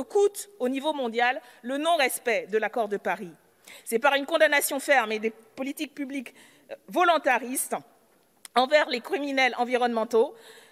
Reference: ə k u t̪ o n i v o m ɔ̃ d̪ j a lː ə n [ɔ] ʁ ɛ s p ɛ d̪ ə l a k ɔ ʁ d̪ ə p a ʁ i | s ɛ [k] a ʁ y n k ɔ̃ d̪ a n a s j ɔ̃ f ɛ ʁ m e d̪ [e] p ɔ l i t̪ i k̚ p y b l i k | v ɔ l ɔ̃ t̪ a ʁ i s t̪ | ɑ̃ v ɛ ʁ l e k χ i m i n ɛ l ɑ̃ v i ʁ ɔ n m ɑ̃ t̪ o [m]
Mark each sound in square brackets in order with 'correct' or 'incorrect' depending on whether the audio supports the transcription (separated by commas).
incorrect, incorrect, correct, incorrect